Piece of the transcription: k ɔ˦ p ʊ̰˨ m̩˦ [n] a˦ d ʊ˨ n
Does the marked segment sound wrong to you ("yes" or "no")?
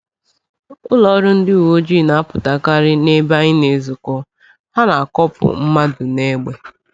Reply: yes